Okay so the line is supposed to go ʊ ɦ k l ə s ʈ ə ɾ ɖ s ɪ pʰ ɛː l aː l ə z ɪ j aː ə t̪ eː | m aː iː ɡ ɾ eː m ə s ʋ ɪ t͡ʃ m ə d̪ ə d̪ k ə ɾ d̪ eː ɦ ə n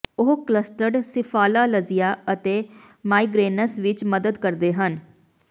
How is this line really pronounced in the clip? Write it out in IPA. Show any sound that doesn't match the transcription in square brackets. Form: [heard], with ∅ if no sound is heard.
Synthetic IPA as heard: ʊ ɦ k l ə s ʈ ə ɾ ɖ s ɪ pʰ [aː] l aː l ə z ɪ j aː ə t̪ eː | m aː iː ɡ ɾ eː [n] ə s ʋ ɪ t͡ʃ m ə d̪ ə d̪ k ə ɾ d̪ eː ɦ ə n